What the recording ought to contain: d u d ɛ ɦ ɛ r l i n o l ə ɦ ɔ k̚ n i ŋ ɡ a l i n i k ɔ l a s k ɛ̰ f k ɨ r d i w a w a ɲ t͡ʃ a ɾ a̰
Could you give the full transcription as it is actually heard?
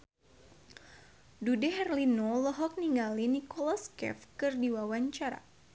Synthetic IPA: d u d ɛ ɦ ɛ r l i n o l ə ɦ ɔ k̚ n i ŋ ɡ a l i n i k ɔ l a s k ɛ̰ f k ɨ r d i w a w a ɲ t͡ʃ a ɾ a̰